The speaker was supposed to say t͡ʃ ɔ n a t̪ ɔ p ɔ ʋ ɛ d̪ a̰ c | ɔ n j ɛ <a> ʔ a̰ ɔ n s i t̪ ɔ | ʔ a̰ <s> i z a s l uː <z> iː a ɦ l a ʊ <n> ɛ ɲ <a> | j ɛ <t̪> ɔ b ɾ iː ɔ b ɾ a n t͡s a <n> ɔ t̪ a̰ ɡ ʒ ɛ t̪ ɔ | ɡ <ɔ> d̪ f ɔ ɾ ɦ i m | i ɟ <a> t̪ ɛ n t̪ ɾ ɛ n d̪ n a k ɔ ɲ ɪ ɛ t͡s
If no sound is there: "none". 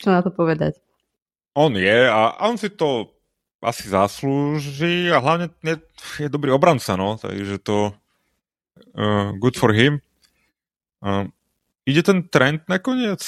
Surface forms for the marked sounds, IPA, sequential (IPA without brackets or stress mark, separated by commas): a, s, ʒ, ɲ, ɛ, d̪, n, u, ɛ